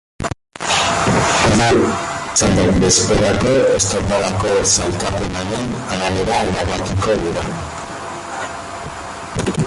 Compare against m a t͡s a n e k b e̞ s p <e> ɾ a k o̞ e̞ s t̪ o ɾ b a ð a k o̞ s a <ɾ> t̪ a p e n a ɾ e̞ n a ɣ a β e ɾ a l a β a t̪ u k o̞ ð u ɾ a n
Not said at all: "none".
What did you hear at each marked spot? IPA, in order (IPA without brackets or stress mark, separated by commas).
e, l